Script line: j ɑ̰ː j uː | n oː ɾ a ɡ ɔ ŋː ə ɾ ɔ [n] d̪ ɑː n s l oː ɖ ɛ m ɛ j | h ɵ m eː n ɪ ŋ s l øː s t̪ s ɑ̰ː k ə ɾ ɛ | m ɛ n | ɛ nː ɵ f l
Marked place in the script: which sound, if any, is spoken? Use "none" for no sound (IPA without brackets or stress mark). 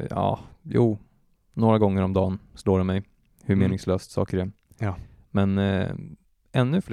m